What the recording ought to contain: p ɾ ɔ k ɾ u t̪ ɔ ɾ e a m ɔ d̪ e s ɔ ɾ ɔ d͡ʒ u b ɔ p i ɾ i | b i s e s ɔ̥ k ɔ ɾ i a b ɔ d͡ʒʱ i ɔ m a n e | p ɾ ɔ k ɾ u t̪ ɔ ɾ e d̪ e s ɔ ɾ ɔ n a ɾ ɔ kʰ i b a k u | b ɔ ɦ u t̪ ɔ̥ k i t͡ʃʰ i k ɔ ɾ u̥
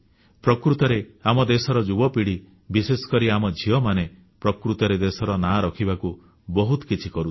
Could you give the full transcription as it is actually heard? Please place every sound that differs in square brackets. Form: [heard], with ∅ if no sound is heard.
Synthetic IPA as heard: p ɾ ɔ k ɾ u t̪ ɔ ɾ e a m ɔ d̪ e s ɔ ɾ ɔ d͡ʒ u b ɔ p i [ɽ] i | b i s e s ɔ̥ k ɔ ɾ i a [m] ɔ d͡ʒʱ i ɔ m a n e | p ɾ ɔ k ɾ u t̪ ɔ ɾ e d̪ e s ɔ ɾ ɔ n a ɾ ɔ kʰ i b a k u | b ɔ ɦ u t̪ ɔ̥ k i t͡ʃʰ i k ɔ ɾ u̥